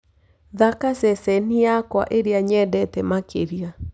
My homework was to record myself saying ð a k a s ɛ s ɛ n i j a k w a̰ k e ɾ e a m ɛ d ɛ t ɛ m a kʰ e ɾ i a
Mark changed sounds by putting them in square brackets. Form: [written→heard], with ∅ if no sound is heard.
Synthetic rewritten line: ð a k a s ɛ s ɛ n i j a k w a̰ [k→ʔ] e ɾ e a [m→ɲ] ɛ d ɛ t ɛ m a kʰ e ɾ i a